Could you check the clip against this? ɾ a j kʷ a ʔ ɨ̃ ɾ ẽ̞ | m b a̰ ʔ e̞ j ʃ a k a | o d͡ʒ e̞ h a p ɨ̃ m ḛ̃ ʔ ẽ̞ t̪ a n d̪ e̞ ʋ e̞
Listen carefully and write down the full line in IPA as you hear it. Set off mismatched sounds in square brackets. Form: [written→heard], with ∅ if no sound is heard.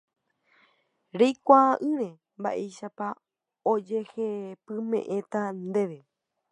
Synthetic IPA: ɾ [a→e] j kʷ a ʔ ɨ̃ ɾ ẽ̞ | m b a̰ ʔ e̞ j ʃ a [k→p] a | o d͡ʒ e̞ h [a→e] p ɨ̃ m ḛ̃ ʔ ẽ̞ t̪ a n d̪ e̞ ʋ e̞